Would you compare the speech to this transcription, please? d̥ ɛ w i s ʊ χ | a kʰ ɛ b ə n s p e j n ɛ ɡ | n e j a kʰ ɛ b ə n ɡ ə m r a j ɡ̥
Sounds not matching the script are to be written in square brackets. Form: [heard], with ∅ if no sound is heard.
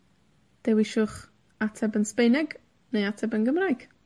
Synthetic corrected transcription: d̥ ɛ w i [ʃ] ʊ χ | a [tʰ] ɛ b ə n s p e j n ɛ ɡ | n e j a [tʰ] ɛ b ə n ɡ ə m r a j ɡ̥